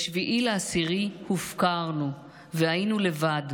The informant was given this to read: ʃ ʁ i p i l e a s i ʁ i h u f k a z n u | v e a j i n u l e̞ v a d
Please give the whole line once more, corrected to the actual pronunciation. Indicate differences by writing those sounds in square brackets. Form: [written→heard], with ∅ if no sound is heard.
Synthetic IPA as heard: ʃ [ʁ→v] i [p→ʔ] i l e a s i ʁ i h u f k a [z→ʁ] n u | v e a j i n u l e̞ v a d